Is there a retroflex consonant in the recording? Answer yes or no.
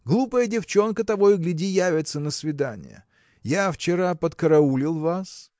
no